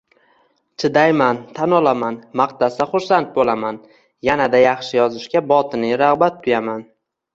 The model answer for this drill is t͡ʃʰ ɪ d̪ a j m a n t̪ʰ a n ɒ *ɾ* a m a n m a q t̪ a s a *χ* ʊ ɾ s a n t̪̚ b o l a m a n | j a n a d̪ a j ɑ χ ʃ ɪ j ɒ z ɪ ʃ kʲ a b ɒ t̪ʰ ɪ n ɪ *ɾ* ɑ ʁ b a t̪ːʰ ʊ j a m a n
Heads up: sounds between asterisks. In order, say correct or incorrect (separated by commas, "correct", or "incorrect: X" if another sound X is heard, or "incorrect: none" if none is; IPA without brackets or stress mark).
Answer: incorrect: l, correct, correct